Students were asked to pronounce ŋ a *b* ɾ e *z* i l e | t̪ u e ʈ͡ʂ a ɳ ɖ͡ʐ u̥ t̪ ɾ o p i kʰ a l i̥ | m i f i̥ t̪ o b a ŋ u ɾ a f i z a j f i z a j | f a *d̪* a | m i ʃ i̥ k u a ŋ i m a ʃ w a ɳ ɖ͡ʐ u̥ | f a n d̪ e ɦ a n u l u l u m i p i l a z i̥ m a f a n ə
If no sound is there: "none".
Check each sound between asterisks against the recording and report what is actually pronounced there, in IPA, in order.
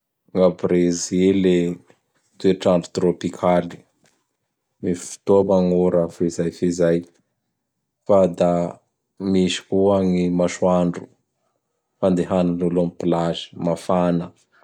b, z, d̪

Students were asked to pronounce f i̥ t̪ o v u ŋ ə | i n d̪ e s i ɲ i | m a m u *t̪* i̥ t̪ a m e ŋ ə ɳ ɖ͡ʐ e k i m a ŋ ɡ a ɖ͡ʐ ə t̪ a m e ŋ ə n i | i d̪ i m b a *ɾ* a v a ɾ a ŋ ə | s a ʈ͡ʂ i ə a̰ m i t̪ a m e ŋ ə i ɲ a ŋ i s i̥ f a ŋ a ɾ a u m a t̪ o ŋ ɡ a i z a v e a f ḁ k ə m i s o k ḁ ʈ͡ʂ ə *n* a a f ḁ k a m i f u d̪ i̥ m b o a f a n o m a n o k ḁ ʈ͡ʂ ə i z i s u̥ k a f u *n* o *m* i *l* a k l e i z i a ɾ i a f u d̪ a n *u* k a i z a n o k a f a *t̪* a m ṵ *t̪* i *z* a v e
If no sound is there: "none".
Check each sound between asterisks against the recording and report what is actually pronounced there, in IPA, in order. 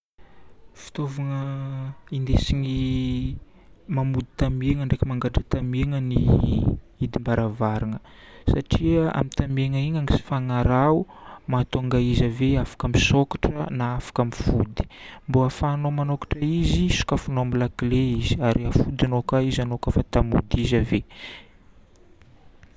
d̪, ɾ, n, n, m, l, o, t̪, d̪, z

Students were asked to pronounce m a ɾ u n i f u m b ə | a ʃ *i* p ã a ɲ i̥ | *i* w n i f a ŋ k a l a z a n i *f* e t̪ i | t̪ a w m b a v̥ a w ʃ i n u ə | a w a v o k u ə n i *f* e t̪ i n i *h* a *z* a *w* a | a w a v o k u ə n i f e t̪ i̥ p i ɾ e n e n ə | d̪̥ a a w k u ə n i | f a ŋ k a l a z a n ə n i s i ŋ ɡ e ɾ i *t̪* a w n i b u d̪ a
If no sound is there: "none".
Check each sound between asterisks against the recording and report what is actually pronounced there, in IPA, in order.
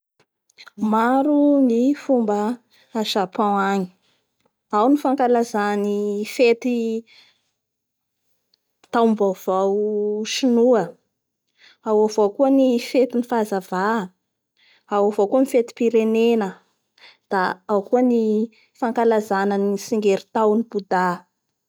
a, a, f, f, f, z, v, t̪

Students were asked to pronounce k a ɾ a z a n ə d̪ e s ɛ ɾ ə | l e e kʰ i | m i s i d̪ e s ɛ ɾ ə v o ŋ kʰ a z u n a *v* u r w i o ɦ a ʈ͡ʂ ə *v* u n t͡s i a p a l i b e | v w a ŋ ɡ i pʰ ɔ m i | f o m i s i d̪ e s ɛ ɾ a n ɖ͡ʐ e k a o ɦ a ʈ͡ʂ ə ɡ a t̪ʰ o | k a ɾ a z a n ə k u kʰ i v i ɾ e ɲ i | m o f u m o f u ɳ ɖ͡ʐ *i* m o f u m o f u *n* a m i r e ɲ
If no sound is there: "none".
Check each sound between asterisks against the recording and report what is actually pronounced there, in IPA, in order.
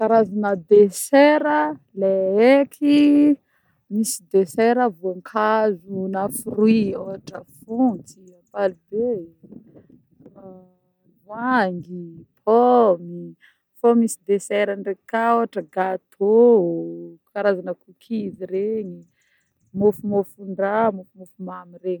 f, f, a, m

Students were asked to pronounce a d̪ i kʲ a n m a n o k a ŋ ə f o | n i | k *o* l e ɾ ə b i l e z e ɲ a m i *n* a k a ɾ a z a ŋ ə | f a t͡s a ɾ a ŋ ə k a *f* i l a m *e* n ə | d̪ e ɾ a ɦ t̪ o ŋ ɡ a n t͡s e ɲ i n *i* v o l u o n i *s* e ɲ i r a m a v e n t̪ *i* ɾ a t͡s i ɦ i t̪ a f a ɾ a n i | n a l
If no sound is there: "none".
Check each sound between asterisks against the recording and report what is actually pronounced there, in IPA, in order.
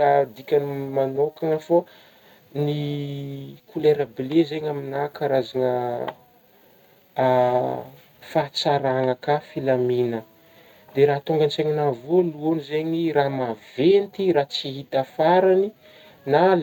u, n, f, i, a, z, i

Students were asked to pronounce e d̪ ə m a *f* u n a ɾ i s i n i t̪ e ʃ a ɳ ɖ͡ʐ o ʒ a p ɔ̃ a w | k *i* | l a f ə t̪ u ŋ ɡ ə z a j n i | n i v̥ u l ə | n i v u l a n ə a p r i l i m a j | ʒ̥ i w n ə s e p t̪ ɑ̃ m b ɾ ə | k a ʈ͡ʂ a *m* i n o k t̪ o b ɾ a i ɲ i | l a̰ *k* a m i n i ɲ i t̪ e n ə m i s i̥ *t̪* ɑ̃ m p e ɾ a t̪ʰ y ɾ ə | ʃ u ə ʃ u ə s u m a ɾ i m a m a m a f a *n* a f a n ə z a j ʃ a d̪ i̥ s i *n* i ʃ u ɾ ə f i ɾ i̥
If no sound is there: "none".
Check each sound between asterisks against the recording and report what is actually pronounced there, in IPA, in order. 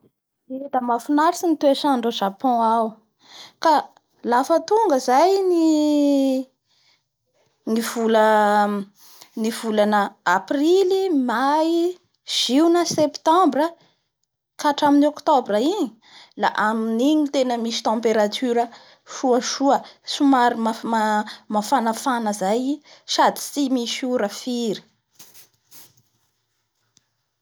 f, a, m, ʔ, t̪, n, m

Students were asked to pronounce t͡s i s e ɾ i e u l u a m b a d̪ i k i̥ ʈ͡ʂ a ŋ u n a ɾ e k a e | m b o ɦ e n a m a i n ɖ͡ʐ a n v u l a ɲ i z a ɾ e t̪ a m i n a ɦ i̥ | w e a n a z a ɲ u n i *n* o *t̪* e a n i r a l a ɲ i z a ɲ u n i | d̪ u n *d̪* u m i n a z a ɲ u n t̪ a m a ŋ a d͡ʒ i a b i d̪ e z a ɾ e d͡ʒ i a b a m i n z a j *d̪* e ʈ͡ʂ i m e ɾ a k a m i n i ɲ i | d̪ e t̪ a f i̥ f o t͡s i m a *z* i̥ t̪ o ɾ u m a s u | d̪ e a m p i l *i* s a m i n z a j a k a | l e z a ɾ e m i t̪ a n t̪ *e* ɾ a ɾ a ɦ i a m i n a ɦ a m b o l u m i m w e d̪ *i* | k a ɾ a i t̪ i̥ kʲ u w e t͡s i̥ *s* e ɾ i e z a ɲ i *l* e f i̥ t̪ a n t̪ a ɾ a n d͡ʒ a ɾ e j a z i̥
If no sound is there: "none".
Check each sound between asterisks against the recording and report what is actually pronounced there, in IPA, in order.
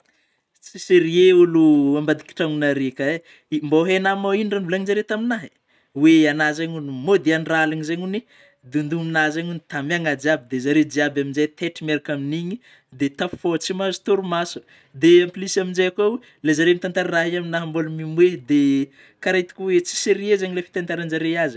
m, d̪, d̪, t̪, z, i, a, e, s, l

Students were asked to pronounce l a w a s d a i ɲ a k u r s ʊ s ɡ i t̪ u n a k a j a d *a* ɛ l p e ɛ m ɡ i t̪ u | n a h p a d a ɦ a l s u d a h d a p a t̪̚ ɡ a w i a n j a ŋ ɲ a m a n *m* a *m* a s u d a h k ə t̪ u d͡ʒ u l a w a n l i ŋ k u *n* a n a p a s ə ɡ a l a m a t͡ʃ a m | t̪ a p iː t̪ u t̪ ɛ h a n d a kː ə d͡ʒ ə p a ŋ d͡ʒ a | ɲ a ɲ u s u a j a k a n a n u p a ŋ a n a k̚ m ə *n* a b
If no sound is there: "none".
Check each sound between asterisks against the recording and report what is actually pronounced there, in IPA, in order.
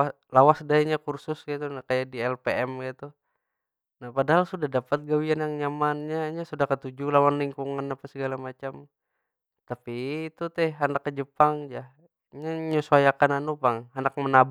i, ɲ, ɲ, ŋ, n

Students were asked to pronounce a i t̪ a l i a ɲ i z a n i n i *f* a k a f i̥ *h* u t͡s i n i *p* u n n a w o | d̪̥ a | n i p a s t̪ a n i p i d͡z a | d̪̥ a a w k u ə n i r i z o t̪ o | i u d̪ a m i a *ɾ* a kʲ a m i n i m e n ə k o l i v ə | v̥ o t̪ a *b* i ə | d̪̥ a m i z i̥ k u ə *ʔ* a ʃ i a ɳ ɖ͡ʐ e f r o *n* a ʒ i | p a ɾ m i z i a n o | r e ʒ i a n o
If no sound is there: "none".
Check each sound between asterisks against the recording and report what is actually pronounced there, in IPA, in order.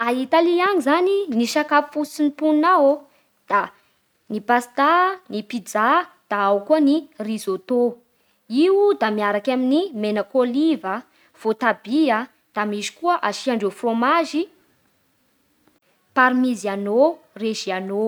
ʃ, f, p, ɾ, b, ʔ, m

